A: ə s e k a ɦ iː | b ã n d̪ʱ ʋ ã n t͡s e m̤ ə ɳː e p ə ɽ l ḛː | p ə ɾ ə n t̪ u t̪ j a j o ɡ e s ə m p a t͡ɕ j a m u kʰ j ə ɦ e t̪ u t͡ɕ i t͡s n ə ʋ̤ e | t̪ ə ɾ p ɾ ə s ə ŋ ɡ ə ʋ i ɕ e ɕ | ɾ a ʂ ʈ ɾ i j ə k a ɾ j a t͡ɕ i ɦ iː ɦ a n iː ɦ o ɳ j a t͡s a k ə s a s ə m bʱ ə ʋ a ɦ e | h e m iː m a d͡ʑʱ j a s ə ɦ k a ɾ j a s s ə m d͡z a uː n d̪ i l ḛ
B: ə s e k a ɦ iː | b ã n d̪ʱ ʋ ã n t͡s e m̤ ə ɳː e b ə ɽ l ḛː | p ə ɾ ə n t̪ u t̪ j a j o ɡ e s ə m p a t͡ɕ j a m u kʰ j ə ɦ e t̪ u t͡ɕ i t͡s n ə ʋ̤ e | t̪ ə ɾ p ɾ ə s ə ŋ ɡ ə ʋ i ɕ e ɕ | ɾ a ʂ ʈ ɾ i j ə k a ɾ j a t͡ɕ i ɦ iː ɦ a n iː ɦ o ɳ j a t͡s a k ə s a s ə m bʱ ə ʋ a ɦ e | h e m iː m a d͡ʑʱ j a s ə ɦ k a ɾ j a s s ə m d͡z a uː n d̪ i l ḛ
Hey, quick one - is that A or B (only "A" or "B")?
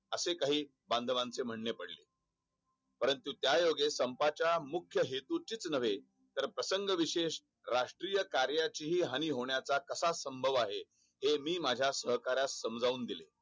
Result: A